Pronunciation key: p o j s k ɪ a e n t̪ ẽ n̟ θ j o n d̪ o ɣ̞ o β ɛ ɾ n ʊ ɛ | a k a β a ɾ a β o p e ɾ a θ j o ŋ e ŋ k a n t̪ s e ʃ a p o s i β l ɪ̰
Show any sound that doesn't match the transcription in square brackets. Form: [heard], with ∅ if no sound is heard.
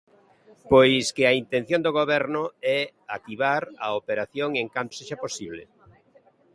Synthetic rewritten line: p o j s k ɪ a [i] n t̪ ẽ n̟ θ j o n d̪ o ɣ̞ o β ɛ ɾ n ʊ ɛ | a k [i] β a ɾ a [∅] o p e ɾ a θ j o ŋ e ŋ k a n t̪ s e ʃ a p o s i β l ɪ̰

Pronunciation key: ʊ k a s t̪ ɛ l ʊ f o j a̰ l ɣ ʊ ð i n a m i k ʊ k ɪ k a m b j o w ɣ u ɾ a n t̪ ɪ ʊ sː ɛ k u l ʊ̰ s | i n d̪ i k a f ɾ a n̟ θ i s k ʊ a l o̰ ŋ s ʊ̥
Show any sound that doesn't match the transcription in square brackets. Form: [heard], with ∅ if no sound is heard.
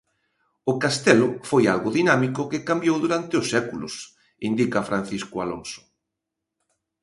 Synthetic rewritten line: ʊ k a s t̪ ɛ l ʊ f o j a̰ l ɣ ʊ ð i n a m i k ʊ k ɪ k a m b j o w [ð] u ɾ a n t̪ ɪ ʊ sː ɛ k u l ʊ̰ s | i n d̪ i k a f ɾ a n̟ θ i s k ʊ a l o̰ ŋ s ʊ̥

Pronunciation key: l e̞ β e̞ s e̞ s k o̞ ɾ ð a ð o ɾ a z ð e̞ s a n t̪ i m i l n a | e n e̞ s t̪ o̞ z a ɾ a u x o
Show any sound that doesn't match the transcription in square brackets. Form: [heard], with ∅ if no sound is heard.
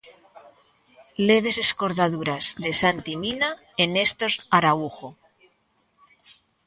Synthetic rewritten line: l e̞ β e̞ s e̞ s k o̞ ɾ ð a ð [u] ɾ a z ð e̞ s a n t̪ i m i [∅] n a | e n e̞ s t̪ o̞ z a ɾ a u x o

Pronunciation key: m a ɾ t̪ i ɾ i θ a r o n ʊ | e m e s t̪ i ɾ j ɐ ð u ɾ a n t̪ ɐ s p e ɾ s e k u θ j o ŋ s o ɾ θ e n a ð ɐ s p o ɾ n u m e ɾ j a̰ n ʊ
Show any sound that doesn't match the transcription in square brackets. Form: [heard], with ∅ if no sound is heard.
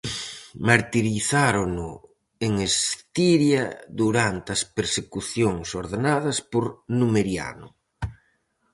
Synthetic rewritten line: m a ɾ t̪ i ɾ i θ a [ɾ] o n ʊ | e [ŋ] e s t̪ i ɾ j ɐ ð u ɾ a n t̪ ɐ s p e ɾ s e k u θ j o ŋ s o ɾ [ð] e n a ð ɐ s p o ɾ n u m e ɾ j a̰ n ʊ

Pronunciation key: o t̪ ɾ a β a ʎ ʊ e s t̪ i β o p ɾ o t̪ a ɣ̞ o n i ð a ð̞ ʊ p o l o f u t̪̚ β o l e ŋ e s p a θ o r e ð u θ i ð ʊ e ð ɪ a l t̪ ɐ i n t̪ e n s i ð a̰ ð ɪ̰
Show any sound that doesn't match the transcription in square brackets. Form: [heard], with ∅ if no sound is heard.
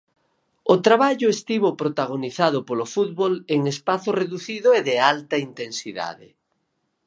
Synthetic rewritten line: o t̪ ɾ a β a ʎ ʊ e s t̪ i β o p ɾ o t̪ a ɣ̞ o n i [θ] a ð̞ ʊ p o l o f u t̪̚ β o l e ŋ e s p a θ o r e ð u θ i ð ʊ e ð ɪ a l t̪ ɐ i n t̪ e n s i ð a̰ ð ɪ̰

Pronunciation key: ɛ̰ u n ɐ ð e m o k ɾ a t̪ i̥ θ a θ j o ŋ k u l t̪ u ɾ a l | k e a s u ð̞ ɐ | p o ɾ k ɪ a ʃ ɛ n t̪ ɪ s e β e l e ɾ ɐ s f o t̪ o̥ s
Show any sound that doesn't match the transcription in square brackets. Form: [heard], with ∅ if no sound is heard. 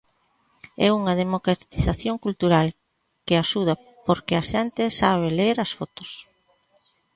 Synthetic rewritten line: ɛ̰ u [ŋ] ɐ ð e m o k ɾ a t̪ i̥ θ a θ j o ŋ k u l t̪ u ɾ a l | k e a [ʃ] u ð̞ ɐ | p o ɾ k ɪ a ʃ ɛ n t̪ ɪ s [a] β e l e ɾ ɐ s f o t̪ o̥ s

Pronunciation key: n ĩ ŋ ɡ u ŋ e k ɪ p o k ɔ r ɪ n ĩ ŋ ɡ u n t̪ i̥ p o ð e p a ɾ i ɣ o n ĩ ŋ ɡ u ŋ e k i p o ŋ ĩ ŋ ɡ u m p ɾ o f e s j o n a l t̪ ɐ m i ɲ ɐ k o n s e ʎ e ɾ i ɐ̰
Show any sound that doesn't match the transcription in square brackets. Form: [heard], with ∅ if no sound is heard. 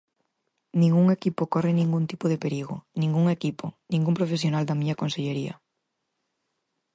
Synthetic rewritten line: n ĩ ŋ ɡ u ŋ e k [i] p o k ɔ r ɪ n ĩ ŋ ɡ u n t̪ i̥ p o ð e p [e] ɾ i ɣ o n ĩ ŋ ɡ u ŋ e k i p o [n] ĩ ŋ ɡ u m p ɾ o f e s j o n a l [d̪] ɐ m i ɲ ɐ k o n s e ʎ e ɾ i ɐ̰

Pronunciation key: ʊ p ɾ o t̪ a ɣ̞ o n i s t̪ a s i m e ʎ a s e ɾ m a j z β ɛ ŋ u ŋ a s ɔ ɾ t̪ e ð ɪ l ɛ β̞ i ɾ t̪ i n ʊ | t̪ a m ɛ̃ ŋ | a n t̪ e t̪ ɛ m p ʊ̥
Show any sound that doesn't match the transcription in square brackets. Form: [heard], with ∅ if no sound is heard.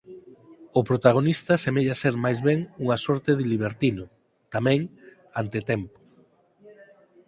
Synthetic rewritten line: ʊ p ɾ o t̪ a ɣ̞ o n i s t̪ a s [e] m e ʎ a s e ɾ m a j z β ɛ ŋ u ŋ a s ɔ ɾ t̪ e ð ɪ l [i] β̞ [e] ɾ t̪ i n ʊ | t̪ a m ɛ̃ ŋ | a n t̪ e t̪ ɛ m p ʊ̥

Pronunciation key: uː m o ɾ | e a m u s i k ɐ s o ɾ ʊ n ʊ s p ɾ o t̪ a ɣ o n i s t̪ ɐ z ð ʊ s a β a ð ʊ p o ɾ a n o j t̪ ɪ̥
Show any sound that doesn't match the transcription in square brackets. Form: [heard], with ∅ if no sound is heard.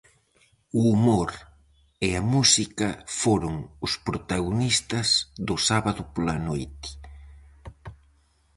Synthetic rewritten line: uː m o ɾ | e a m u s i k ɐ [f] o ɾ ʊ [ŋ] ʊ s p ɾ o t̪ a ɣ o n i s t̪ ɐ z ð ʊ s a β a ð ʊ p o [l] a n o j t̪ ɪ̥

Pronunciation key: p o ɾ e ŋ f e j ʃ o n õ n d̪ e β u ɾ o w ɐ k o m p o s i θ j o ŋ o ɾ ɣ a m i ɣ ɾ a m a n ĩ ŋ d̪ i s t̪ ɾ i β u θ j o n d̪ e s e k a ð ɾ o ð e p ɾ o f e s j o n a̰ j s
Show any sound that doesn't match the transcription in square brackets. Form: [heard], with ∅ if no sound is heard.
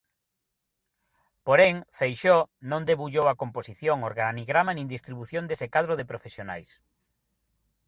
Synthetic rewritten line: p o ɾ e ŋ f e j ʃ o n õ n d̪ e β u [ʎ] o w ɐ k o m p o s i θ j o ŋ o ɾ ɣ a [n] i ɣ ɾ a m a n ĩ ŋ d̪ i s t̪ ɾ i β u θ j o n d̪ e s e k a ð ɾ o ð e p ɾ o f e s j o n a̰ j s

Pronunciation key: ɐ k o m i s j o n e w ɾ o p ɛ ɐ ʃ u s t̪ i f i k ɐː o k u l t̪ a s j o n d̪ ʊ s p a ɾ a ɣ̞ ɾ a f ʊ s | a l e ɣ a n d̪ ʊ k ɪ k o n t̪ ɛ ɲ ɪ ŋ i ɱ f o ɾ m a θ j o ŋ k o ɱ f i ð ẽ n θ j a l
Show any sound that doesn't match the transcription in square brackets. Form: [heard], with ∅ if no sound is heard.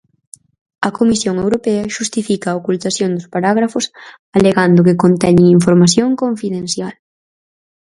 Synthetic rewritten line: ɐ k o m i s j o [ŋ] e w ɾ o p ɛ ɐ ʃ u s t̪ i f i k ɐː o k u l t̪ a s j o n d̪ ʊ s p a ɾ a ɣ̞ ɾ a f ʊ s | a l e ɣ a n d̪ ʊ k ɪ k o n t̪ ɛ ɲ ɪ ŋ i ɱ f o ɾ m a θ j o ŋ k o ɱ f i ð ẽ n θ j a l

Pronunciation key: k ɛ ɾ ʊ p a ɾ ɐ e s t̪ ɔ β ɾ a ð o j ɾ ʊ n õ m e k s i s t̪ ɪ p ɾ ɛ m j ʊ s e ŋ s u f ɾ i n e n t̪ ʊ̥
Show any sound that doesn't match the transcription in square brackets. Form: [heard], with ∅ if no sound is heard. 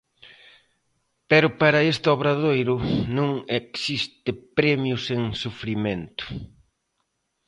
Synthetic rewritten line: [p] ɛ ɾ ʊ p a ɾ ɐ e s t̪ ɔ β ɾ a ð o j ɾ ʊ n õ [ŋ] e k s i s t̪ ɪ p ɾ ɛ m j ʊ s e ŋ s u f ɾ i [m] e n t̪ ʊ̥

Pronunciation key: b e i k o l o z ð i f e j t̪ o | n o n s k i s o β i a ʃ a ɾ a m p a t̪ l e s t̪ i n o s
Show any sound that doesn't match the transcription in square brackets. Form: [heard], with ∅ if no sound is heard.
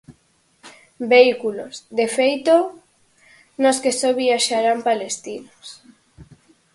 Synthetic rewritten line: b e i k [u] l o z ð [e] f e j t̪ o | n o [∅] s k [e] s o β i a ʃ a ɾ a m p a [∅] l e s t̪ i n o s

